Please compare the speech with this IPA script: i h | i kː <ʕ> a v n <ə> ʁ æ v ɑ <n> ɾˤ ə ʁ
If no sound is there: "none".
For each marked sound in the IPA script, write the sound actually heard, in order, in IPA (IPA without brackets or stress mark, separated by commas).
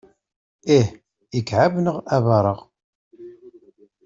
ʕ, ə, none